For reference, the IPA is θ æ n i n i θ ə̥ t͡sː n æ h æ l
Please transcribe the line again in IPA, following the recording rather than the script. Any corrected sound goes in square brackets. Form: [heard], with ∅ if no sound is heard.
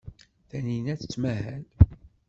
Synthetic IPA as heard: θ æ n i n [æ] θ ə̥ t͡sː [m] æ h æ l